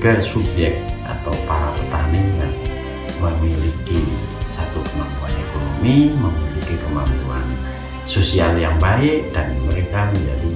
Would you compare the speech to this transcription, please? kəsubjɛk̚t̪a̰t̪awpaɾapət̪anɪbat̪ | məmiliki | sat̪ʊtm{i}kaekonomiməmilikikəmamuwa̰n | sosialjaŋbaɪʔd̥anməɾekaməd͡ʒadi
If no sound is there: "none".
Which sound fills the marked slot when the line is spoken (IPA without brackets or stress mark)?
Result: a